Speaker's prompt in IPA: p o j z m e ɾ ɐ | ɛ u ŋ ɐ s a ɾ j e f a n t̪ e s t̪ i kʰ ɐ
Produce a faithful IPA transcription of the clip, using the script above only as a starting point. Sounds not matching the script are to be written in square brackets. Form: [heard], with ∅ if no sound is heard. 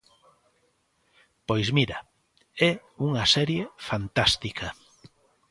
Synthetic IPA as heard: p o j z m [i] ɾ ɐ | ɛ u ŋ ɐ s [ɛ] ɾ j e f a n t̪ [a] s t̪ i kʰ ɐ